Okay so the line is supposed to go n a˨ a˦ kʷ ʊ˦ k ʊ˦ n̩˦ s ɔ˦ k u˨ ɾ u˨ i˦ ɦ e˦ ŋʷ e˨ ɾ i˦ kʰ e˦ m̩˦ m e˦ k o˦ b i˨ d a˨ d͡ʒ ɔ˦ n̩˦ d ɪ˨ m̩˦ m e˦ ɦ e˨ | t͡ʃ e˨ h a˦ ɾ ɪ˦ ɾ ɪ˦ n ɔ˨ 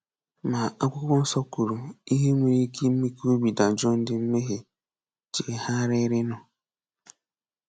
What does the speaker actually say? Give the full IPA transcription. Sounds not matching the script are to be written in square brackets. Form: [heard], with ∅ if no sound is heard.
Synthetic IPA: [m] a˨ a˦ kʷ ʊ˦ k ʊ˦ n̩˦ s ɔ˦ k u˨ ɾ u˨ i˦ ɦ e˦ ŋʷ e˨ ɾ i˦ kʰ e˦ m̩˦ m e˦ k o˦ b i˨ d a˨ d͡ʒ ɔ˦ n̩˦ d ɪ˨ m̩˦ m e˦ ɦ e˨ | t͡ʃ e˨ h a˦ ɾ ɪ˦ ɾ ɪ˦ n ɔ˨

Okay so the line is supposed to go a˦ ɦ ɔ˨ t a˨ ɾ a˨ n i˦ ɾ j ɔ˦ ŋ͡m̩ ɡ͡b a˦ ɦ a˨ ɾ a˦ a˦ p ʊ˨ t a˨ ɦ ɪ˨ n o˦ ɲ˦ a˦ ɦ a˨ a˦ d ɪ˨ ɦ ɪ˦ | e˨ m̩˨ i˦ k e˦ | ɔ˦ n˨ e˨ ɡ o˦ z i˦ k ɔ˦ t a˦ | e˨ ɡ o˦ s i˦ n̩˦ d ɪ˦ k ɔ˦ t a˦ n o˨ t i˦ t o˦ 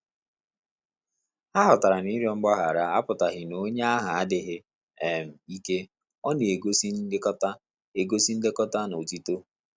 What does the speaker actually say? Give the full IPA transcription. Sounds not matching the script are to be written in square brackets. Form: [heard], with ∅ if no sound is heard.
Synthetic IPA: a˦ ɦ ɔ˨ t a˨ ɾ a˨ n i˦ ɾ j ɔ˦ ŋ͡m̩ ɡ͡b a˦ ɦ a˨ ɾ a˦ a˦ p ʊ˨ t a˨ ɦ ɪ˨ n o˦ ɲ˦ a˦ ɦ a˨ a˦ d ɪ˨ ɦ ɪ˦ | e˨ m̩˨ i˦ k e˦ | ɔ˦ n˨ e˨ ɡ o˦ [s] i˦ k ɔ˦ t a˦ | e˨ ɡ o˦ s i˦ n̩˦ d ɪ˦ k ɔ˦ t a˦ n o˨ t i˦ t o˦

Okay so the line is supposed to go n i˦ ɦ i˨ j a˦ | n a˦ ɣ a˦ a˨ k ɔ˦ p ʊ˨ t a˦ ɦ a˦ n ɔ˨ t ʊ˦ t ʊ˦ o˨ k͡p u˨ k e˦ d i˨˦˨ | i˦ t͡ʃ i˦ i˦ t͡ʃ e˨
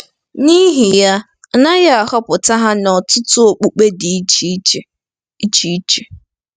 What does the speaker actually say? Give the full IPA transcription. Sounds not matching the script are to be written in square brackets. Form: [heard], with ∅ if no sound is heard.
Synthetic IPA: n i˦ ɦ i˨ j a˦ | n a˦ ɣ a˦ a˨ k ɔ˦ p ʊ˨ t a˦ ɦ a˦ n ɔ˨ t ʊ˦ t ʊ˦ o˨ k͡p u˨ [k͡p] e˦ d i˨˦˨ | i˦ t͡ʃ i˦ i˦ t͡ʃ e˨

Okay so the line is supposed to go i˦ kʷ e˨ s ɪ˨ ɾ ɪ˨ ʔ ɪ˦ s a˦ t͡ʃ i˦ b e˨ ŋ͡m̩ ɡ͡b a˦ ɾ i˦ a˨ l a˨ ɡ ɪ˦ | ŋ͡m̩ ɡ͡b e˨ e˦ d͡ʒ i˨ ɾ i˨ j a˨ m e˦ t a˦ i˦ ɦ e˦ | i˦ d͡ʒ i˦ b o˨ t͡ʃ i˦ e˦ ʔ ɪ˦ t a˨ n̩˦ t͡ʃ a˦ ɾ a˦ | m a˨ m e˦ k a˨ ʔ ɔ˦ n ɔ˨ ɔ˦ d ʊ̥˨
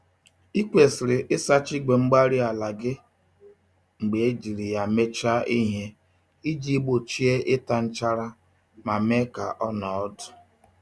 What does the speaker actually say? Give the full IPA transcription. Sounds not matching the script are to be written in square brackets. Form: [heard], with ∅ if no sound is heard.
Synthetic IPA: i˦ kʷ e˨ s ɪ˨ ɾ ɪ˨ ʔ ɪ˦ s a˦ t͡ʃ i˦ [ɡ͡b] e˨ ŋ͡m̩ ɡ͡b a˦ ɾ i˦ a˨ l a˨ ɡ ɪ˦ | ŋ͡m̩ ɡ͡b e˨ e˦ d͡ʒ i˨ ɾ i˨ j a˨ m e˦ [t͡ʃ] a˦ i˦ ɦ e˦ | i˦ d͡ʒ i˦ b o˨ t͡ʃ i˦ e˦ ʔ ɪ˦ t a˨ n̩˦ t͡ʃ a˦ ɾ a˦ | m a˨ m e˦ k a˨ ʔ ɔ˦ n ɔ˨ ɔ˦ d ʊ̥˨

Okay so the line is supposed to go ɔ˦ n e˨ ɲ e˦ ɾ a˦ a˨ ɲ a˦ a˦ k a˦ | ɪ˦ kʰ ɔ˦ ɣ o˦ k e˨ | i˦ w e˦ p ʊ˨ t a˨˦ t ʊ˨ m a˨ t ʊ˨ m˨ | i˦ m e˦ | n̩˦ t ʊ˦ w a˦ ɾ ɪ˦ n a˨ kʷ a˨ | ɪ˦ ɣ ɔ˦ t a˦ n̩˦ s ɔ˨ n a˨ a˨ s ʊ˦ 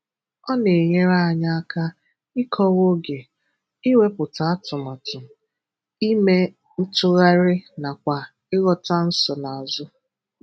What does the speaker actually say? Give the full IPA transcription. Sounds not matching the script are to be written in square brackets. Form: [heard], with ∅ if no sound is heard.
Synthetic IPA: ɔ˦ n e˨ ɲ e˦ ɾ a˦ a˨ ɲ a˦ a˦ k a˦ | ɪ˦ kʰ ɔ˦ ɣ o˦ [ɡ] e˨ | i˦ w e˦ p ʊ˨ t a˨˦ t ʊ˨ m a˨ t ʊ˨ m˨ | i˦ m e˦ | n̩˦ t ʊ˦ [ɣ] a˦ ɾ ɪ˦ n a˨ kʷ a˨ | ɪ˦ ɣ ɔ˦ t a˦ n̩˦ s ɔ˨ n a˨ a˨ [z] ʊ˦

